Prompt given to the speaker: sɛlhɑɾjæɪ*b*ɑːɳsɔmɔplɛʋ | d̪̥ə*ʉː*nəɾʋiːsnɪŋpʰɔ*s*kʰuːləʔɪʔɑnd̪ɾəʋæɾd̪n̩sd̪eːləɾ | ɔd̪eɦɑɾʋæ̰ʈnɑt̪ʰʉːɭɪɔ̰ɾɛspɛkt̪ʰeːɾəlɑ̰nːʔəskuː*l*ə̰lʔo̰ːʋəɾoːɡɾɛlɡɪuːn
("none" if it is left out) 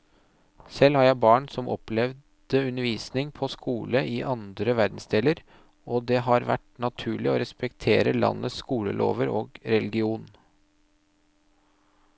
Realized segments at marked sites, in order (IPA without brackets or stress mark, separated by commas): b, ʉ, s, l